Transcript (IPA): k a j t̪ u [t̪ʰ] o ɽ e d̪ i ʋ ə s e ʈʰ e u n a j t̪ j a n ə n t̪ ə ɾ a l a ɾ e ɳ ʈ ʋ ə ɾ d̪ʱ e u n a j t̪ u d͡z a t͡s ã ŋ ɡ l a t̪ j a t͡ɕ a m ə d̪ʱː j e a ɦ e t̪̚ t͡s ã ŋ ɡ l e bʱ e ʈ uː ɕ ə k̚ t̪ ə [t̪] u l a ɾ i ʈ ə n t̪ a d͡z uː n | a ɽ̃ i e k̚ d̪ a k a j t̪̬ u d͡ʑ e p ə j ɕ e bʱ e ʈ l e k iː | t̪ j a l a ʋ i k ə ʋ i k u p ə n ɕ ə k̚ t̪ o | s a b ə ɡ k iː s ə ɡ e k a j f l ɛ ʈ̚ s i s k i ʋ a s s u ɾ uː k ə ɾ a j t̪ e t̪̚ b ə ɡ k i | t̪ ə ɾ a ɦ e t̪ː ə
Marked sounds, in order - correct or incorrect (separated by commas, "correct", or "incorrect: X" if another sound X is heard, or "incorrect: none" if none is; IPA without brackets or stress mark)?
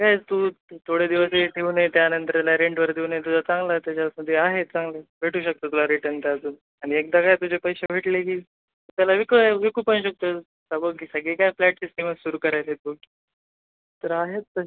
correct, correct